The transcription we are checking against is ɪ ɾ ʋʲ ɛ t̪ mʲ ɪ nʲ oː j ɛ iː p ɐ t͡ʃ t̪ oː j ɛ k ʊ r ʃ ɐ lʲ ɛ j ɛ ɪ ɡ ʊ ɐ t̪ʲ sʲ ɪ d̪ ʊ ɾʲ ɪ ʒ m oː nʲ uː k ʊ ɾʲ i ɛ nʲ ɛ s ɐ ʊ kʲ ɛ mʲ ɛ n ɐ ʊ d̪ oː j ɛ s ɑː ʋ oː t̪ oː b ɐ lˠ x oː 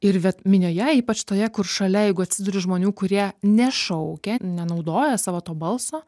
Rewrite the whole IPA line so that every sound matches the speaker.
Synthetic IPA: ɪ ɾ ʋʲ ɛ t̪ mʲ ɪ nʲ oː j ɛ iː p ɐ t͡ʃ t̪ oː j ɛ k ʊ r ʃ ɐ lʲ ɛ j ɛ ɪ ɡ ʊ ɐ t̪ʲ sʲ ɪ d̪ ʊ ɾʲ ɪ ʒ m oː nʲ uː k ʊ ɾʲ i ɛ nʲ ɛ ʃ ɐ ʊ kʲ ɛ nʲ ɛ n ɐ ʊ d̪ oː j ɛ s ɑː ʋ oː t̪ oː b ɐ lˠ s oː